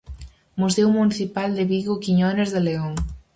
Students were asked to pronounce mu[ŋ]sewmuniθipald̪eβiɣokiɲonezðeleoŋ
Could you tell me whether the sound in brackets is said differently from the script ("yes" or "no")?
yes